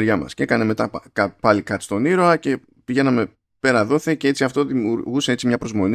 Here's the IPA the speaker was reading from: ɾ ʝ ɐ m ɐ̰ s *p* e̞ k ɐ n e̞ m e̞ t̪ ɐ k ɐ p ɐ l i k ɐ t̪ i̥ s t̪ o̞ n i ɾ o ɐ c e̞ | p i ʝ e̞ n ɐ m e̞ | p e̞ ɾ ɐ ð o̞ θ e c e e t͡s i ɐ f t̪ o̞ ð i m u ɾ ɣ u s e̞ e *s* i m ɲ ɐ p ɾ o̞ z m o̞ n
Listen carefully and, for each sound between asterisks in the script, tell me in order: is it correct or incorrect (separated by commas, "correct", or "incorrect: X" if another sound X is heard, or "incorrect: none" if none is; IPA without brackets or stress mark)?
incorrect: c, incorrect: t͡s